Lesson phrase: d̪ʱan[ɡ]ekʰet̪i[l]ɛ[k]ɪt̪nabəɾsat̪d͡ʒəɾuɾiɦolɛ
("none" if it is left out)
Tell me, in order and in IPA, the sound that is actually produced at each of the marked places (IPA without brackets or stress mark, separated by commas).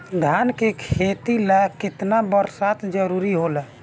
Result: k, l, k